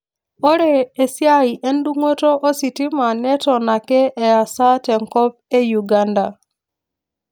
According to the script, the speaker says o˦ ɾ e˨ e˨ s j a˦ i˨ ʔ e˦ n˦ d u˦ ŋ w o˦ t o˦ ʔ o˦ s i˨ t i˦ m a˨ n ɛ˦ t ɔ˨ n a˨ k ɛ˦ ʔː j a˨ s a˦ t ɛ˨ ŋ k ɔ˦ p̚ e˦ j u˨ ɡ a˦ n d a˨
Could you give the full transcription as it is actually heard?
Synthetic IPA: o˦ ɾ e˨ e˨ s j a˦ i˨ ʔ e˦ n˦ d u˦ ŋ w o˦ t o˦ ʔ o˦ s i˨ t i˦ m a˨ n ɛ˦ t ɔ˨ n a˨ k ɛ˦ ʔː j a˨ s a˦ t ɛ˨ ŋ k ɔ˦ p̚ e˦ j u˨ ɡ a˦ n d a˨